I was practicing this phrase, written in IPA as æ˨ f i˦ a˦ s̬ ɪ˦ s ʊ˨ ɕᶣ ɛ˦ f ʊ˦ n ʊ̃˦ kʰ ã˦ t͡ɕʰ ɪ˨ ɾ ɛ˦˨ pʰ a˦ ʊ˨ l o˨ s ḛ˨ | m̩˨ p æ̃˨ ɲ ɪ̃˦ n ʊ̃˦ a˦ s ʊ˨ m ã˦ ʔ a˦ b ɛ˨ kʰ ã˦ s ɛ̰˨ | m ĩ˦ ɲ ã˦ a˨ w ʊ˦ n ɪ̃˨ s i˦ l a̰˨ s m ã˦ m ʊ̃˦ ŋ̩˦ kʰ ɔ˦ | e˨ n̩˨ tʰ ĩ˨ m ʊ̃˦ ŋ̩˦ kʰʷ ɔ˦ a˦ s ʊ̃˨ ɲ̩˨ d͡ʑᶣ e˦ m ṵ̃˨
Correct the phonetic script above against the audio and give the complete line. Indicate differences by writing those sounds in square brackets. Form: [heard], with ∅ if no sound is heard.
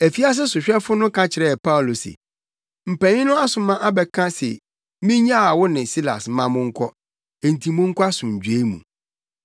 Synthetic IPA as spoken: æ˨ f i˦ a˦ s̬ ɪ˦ s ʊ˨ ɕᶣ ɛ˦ f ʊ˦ n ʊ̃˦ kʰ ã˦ t͡ɕʰ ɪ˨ ɾ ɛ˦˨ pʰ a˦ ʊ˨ l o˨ s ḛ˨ | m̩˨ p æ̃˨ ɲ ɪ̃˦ n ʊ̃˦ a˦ s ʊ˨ m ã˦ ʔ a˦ b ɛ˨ kʰ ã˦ s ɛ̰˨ | m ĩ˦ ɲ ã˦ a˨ w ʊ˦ n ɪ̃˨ s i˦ l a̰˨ s m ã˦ m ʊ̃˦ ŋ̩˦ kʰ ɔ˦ | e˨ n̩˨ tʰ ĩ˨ m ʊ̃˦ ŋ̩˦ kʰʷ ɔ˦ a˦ s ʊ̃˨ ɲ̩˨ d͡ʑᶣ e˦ m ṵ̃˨